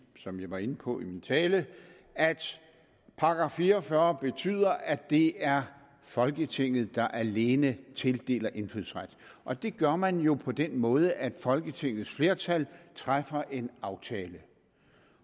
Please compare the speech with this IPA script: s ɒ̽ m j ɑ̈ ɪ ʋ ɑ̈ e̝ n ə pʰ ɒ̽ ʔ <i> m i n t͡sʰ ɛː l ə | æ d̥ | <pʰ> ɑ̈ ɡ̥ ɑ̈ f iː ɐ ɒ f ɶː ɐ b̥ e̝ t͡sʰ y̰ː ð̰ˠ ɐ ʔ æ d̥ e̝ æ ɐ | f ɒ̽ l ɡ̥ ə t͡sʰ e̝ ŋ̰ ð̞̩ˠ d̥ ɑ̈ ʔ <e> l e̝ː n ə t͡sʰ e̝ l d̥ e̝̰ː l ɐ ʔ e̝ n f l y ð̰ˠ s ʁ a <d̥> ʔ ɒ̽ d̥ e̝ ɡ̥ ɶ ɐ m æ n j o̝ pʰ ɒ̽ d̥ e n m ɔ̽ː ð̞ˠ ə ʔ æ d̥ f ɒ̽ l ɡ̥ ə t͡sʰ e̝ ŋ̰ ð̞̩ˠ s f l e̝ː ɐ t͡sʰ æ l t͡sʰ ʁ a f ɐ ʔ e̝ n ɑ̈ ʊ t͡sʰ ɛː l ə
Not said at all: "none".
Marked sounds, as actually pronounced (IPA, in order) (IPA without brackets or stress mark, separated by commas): i, pʰ, æ, d̥